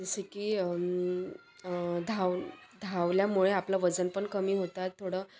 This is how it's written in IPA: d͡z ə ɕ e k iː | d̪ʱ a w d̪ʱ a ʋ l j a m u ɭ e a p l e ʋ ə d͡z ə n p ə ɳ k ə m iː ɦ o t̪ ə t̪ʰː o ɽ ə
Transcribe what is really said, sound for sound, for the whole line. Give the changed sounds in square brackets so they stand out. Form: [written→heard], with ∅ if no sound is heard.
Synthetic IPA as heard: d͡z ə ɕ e k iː | d̪ʱ a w d̪ʱ a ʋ l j a m u ɭ e a p l [e→a] ʋ ə d͡z ə n p ə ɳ k ə m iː ɦ o t̪ [ə→a] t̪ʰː o ɽ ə